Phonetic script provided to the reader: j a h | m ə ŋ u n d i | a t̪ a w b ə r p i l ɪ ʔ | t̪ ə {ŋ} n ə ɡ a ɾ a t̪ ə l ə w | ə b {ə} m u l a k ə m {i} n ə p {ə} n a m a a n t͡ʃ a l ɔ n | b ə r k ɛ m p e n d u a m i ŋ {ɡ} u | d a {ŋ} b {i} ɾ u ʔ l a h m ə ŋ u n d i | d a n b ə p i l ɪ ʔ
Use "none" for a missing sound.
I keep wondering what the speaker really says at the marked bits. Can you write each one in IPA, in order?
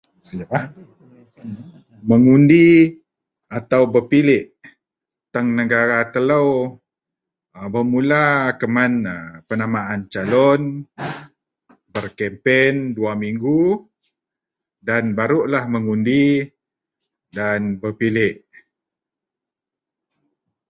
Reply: ŋ, ə, a, ə, ɡ, n, a

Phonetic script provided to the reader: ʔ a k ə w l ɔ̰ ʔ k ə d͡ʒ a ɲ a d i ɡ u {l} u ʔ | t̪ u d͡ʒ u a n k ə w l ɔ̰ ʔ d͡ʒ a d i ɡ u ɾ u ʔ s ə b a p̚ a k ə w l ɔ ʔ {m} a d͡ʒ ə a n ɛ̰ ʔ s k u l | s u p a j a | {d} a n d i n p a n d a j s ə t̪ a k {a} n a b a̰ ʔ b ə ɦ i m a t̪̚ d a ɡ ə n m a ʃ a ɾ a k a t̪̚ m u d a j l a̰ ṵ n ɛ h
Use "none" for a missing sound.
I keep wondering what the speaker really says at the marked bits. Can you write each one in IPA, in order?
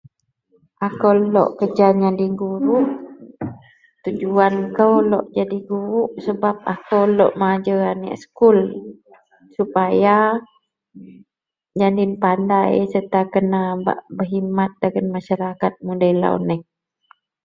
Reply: ɾ, m, d͡ʒ, ə

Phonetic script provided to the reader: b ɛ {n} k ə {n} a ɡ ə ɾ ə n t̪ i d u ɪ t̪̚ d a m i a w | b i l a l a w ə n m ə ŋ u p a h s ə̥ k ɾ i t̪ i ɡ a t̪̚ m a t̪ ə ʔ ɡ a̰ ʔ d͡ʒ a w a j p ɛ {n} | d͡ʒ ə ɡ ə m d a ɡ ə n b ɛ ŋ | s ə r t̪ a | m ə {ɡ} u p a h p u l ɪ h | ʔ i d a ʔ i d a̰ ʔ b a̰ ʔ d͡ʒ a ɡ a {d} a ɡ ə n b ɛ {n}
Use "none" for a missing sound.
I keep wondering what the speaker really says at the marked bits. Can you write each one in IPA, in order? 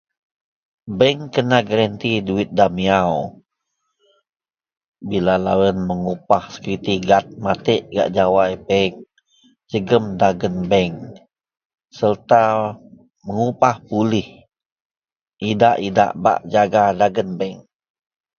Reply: ŋ, n, ŋ, ŋ, d, ŋ

